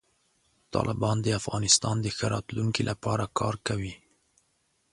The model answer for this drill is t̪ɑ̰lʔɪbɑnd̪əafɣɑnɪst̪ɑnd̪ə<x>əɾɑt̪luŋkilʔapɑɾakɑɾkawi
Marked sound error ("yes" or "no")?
no